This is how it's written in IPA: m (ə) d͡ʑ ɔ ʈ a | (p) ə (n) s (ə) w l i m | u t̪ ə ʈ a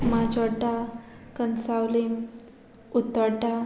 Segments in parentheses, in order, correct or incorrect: incorrect: a, incorrect: k, correct, incorrect: a

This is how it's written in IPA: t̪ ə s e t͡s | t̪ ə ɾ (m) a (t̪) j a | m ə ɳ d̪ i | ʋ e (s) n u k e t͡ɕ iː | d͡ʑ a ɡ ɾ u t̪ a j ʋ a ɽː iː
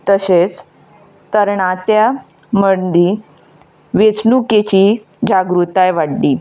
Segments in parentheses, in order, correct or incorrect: incorrect: ɳ, correct, incorrect: t͡s

